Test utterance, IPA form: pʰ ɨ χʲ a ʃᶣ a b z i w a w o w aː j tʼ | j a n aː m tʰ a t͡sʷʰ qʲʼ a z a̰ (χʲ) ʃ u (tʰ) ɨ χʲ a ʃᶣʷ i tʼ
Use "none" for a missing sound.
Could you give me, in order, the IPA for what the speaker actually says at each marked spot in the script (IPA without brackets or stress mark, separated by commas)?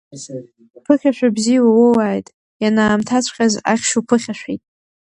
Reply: χʲ, pʰ